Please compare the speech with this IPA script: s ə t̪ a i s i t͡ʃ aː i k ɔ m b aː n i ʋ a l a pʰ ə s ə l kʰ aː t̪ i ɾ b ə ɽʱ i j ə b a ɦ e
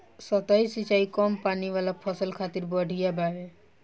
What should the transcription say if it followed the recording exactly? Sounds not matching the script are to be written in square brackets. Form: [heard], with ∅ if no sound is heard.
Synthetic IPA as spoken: s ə t̪ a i s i t͡ʃ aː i k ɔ m [p] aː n i ʋ a l a pʰ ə s ə l kʰ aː t̪ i ɾ b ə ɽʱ i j [a] b a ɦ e

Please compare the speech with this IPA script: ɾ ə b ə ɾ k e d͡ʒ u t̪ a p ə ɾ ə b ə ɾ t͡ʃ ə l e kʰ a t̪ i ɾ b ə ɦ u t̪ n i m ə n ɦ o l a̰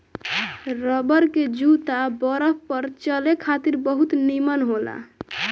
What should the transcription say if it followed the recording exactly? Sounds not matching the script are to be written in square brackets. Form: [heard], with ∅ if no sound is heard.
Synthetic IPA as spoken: ɾ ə b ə ɾ k e d͡ʒ u t̪ a [b] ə ɾ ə [p] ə ɾ t͡ʃ ə l e kʰ a t̪ i ɾ b ə ɦ u t̪ n i m ə n ɦ o l a̰

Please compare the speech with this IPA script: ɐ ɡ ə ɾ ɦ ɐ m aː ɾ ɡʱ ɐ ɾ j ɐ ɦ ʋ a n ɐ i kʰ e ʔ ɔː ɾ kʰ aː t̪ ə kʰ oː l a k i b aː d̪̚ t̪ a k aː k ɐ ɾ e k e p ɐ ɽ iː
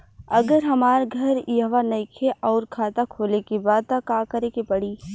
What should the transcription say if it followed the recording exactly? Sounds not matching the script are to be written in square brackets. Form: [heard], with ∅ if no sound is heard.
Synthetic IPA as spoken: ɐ ɡ ə ɾ ɦ ɐ m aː ɾ ɡʱ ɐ ɾ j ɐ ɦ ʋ a n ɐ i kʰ e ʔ ɔː ɾ kʰ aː t̪ [a] kʰ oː l [e] k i b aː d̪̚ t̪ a k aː k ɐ ɾ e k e p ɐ ɽ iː

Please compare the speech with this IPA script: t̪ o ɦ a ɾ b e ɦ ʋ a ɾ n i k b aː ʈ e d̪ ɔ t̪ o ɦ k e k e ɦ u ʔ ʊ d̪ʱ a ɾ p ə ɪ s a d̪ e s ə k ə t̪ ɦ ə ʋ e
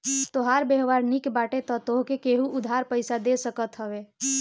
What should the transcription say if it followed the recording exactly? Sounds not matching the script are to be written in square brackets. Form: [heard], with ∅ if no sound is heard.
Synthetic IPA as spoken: t̪ o ɦ a ɾ b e ɦ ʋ a ɾ n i k b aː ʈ e [t̪] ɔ t̪ o ɦ k e k e ɦ u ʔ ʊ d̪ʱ a ɾ p ə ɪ s a d̪ e s ə k ə t̪ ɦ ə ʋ e

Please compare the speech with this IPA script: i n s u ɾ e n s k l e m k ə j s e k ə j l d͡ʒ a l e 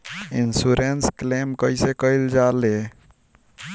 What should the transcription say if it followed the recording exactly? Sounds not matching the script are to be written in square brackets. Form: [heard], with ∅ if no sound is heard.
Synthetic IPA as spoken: i n s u ɾ e n s k l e m k ə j s e k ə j l d͡ʒ a l e

